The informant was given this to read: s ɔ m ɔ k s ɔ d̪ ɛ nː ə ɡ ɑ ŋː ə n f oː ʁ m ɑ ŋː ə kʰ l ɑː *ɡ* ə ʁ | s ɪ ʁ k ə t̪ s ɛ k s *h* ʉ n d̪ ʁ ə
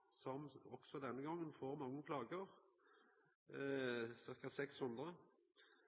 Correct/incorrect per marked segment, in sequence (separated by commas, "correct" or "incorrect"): correct, correct